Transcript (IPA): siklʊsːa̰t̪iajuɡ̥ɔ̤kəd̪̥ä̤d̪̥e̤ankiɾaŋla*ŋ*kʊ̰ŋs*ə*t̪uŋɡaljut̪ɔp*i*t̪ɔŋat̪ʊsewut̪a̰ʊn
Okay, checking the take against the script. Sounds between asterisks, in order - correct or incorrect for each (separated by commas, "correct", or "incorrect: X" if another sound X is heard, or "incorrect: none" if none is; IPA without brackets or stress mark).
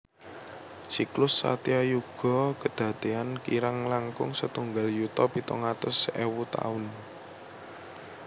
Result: correct, correct, correct